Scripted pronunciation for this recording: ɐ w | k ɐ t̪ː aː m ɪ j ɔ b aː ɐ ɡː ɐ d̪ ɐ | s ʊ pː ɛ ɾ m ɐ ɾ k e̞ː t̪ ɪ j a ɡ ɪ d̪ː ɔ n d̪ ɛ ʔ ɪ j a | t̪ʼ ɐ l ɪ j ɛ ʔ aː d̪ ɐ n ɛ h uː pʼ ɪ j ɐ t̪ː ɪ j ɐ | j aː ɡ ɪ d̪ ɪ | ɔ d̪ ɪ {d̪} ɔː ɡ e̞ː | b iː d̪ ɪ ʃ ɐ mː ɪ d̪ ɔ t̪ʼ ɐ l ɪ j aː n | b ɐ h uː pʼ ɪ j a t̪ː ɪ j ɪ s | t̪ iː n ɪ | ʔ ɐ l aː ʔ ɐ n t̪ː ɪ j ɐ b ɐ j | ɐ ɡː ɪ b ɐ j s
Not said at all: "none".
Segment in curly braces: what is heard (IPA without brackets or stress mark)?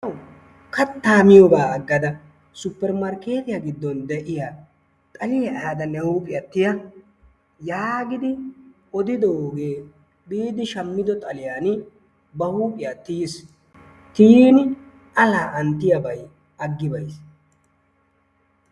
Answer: d̪